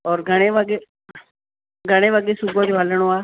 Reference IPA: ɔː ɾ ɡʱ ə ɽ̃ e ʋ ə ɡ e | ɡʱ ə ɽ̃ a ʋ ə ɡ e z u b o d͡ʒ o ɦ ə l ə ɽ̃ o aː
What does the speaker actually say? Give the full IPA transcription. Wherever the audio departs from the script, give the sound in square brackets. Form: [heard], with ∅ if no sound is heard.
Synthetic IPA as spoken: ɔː ɾ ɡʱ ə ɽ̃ e ʋ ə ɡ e | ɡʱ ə ɽ̃ [e] ʋ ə ɡ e [s] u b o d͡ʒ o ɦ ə l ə ɽ̃ o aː